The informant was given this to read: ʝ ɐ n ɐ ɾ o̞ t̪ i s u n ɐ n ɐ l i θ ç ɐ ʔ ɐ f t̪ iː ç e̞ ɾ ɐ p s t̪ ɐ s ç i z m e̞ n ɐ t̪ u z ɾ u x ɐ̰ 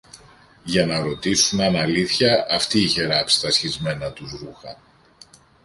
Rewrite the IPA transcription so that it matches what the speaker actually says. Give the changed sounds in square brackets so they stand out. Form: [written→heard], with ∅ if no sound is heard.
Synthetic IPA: ʝ ɐ n ɐ ɾ o̞ t̪ i s u n ɐ n ɐ l i θ ç ɐ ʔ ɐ f t̪ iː ç e̞ ɾ ɐ p s t̪ ɐ s ç i z m e̞ n ɐ t̪ u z ɾ u x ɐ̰